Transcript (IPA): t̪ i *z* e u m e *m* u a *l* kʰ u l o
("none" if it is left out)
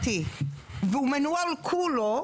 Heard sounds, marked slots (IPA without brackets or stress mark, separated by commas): v, n, l